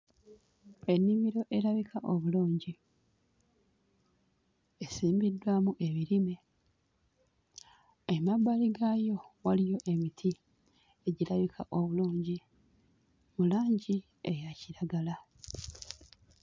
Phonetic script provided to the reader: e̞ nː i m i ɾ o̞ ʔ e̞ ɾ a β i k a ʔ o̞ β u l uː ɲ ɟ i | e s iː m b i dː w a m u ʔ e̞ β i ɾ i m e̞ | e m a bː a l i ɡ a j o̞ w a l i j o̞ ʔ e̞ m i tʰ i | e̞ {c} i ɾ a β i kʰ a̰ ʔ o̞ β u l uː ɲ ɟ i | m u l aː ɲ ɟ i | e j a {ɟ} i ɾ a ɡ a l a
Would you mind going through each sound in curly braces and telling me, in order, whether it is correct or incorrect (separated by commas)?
incorrect, incorrect